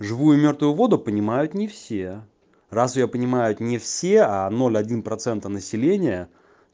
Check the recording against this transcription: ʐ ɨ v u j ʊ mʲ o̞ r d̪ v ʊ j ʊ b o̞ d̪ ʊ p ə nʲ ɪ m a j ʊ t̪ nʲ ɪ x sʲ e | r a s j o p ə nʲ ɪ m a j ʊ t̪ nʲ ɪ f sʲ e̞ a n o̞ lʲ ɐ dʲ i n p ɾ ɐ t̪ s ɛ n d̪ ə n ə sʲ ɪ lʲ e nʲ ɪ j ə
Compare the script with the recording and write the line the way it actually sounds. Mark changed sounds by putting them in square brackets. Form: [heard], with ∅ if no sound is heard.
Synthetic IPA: ʐ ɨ v u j ʊ mʲ o̞ r [t̪] v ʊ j ʊ [v] o̞ d̪ ʊ p ə nʲ ɪ m a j ʊ t̪ nʲ ɪ [f] sʲ e | r a s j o p ə nʲ ɪ m a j ʊ t̪ nʲ ɪ f sʲ e̞ a n o̞ lʲ ɐ dʲ i n p ɾ ɐ t̪ s ɛ n [t̪] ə n ə sʲ ɪ lʲ e nʲ ɪ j ə